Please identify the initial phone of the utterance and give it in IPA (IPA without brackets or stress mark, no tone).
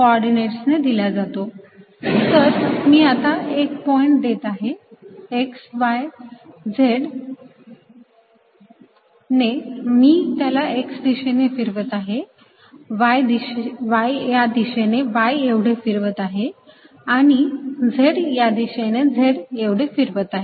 k